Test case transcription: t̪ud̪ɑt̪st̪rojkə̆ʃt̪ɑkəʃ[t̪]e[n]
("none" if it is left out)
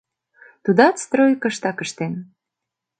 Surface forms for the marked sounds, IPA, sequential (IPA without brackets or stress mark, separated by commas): t̪, n